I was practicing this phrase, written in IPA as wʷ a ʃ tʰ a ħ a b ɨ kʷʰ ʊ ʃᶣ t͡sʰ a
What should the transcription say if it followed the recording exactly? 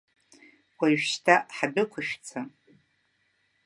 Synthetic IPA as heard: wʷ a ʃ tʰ a ħ a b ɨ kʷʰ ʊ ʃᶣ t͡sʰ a